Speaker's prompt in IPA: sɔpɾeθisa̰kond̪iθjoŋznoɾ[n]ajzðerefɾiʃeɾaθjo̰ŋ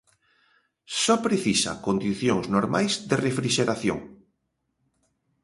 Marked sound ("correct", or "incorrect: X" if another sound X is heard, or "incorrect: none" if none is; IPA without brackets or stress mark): incorrect: m